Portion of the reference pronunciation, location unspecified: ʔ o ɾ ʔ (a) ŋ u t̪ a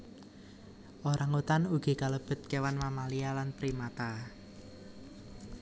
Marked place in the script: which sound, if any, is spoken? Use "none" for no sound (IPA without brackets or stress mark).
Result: a